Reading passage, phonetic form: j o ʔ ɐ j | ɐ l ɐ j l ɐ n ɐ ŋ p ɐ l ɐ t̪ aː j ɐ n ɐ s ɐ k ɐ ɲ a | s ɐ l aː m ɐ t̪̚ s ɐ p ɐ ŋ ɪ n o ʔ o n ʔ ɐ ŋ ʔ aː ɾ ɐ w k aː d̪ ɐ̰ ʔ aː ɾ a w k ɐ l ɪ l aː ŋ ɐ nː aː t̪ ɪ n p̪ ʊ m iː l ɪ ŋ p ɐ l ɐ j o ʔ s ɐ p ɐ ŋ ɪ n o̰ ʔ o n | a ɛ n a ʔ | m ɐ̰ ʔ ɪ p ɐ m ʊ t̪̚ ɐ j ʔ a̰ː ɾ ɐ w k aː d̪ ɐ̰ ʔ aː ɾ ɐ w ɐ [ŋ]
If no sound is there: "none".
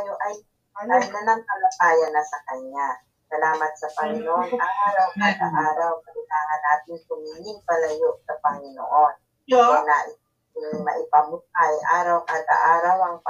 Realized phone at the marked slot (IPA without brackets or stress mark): ŋ